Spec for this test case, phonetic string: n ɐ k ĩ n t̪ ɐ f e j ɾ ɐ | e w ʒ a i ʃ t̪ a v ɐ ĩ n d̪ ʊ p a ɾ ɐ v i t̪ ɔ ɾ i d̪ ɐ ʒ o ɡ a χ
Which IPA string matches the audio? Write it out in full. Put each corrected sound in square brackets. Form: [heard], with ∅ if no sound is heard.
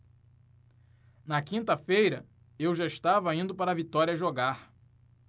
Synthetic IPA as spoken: n ɐ k ĩ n t̪ ɐ f e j ɾ ɐ | e w ʒ a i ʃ t̪ a v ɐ ĩ n d̪ ʊ p a ɾ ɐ v i t̪ ɔ ɾ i [∅] ɐ ʒ o ɡ a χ